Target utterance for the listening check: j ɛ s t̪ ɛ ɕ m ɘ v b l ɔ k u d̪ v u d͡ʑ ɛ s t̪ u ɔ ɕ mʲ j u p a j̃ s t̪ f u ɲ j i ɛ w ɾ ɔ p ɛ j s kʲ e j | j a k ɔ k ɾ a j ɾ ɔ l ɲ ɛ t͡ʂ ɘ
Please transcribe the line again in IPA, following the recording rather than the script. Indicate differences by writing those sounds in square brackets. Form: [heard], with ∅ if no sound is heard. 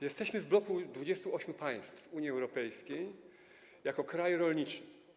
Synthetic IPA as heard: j ɛ s t̪ ɛ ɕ m ɘ v b l ɔ k u d̪ v u d͡ʑ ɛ s t̪ u ɔ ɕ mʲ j u p a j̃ s t̪ f u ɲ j i ɛ w ɾ ɔ p ɛ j s kʲ e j | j a k ɔ k ɾ a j ɾ ɔ l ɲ [i] t͡ʂ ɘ